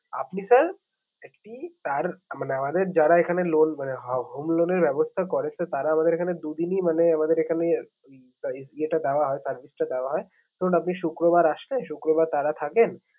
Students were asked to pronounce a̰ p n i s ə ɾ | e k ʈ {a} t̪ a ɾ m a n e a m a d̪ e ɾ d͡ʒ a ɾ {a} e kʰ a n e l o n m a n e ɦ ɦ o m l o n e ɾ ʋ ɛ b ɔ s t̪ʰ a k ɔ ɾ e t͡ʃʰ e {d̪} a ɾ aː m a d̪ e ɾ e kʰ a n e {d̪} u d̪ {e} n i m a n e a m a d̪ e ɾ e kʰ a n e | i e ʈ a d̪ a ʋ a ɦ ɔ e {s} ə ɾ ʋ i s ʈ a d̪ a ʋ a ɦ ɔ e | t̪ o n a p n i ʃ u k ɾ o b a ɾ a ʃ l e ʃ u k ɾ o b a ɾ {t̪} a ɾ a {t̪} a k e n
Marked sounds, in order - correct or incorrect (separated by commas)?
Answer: incorrect, correct, incorrect, correct, incorrect, correct, correct, incorrect